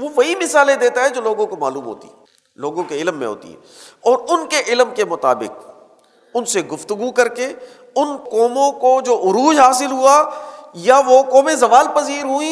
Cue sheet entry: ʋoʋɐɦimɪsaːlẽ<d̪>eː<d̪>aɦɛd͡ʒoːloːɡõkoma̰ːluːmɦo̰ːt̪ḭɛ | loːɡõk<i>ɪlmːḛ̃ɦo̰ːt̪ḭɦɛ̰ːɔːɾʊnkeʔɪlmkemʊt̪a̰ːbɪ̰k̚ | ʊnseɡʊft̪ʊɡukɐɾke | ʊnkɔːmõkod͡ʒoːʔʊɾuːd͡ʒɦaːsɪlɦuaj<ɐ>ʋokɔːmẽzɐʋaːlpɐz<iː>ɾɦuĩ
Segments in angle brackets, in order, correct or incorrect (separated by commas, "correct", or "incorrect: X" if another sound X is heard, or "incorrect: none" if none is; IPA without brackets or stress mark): correct, incorrect: t̪, incorrect: e, incorrect: a, correct